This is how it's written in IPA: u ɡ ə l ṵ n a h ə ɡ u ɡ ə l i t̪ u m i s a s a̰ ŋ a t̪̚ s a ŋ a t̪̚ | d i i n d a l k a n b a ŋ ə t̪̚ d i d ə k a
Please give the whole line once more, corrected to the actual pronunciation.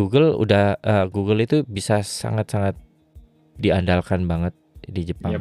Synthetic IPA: u ɡ ə l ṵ d a h ə ɡ u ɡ ə l i t̪ u b i s a s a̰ ŋ a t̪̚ s a ŋ a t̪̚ | d i a n d a l k a n b a ŋ ə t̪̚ d i d͡ʒ ə p a